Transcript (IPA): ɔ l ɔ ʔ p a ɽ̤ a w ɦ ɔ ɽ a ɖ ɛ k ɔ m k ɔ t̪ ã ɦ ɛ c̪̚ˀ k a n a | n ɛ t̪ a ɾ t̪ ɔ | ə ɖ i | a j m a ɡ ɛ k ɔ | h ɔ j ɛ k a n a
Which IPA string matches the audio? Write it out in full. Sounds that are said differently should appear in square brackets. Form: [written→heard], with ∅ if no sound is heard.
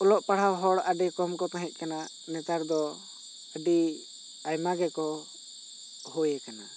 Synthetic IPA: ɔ l ɔ ʔ p a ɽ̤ a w ɦ ɔ ɽ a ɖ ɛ k ɔ m k ɔ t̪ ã ɦ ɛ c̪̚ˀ k a n a | n ɛ t̪ a ɾ [t̪→d̪] ɔ | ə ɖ i | a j m a ɡ ɛ k ɔ | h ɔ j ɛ k a n a